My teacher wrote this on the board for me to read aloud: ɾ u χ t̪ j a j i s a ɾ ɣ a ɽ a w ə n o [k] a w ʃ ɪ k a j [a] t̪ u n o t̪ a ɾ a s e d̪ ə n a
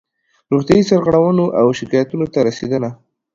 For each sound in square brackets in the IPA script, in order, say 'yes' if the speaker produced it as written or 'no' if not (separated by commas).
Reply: no, yes